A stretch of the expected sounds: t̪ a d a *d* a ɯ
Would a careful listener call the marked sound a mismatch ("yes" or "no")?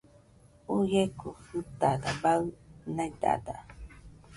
yes